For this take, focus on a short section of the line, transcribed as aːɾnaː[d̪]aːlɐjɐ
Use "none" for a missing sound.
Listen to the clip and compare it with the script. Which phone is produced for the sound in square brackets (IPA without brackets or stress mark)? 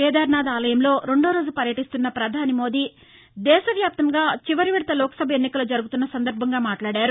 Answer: d̪